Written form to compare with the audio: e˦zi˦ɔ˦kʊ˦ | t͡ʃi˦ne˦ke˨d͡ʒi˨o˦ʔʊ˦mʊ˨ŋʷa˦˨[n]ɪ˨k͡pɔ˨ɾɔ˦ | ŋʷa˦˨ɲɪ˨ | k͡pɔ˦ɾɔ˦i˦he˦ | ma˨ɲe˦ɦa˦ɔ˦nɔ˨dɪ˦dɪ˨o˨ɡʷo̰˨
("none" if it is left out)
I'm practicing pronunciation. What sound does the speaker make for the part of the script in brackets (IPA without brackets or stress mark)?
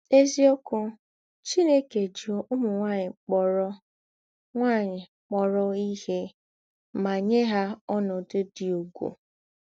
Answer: ɲ